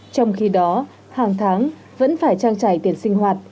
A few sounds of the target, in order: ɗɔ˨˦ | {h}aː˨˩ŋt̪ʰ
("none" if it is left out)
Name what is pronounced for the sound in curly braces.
h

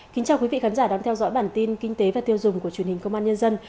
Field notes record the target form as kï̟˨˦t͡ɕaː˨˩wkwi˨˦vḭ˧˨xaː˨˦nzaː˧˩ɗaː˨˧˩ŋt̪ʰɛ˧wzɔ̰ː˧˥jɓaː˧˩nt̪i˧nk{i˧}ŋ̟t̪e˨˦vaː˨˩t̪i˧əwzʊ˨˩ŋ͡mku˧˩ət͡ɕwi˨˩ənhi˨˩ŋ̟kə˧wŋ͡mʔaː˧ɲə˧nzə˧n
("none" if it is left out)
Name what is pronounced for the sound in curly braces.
i˧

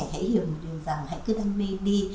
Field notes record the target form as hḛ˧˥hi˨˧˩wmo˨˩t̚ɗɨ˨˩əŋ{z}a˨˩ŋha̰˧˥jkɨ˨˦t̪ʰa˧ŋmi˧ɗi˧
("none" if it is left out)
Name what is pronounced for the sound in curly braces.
z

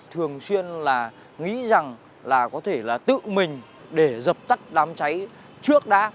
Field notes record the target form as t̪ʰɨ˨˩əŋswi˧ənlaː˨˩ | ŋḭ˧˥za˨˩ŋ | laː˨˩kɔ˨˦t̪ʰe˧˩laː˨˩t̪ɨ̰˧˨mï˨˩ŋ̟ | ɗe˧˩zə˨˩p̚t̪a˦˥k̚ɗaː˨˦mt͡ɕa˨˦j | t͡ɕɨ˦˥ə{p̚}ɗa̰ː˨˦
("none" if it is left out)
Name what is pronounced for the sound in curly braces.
k̚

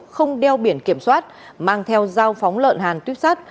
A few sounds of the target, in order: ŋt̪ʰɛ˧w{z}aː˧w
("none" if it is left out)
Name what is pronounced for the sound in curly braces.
z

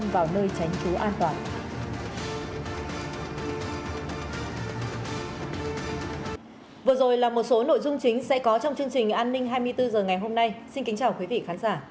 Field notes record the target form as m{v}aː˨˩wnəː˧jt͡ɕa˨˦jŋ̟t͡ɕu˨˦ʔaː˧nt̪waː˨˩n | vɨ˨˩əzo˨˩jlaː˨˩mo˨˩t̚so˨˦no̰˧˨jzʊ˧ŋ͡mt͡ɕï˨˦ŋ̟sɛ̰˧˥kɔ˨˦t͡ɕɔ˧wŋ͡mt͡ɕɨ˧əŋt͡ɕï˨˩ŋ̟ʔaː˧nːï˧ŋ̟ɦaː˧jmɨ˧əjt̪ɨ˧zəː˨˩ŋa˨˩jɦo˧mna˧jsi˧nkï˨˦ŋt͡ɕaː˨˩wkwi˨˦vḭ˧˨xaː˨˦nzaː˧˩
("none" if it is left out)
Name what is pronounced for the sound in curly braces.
v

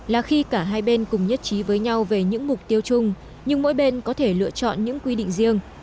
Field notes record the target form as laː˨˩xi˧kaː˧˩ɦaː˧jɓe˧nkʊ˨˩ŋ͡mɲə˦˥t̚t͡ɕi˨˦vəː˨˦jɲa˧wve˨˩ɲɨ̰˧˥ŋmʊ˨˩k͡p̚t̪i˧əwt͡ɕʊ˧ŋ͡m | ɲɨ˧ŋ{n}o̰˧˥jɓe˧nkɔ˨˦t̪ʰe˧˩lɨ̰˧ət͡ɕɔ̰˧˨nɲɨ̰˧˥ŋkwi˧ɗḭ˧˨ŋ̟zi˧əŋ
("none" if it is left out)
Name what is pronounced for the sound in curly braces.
m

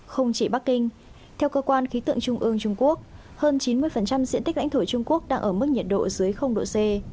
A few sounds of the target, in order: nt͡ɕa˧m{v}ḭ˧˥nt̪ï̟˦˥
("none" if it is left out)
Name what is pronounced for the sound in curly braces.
z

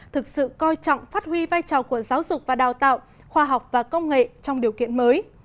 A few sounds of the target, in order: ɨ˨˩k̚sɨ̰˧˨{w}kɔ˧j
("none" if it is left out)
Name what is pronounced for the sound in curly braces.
none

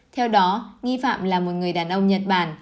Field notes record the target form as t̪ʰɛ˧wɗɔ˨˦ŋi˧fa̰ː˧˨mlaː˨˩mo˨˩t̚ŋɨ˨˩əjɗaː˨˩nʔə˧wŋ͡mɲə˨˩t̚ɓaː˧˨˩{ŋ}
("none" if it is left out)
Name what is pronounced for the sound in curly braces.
n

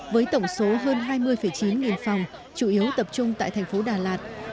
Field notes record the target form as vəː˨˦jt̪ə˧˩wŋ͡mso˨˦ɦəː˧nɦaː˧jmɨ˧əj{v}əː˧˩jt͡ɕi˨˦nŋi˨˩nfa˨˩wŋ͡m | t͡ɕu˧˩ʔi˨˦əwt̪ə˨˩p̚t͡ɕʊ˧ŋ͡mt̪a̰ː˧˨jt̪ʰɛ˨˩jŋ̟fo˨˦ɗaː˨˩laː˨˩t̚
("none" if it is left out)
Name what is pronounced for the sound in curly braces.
f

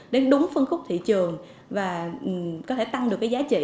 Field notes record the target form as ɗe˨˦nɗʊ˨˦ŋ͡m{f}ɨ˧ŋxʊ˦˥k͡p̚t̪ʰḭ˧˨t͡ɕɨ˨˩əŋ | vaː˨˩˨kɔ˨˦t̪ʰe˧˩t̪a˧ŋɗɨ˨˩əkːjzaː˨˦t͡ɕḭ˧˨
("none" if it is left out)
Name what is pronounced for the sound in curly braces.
f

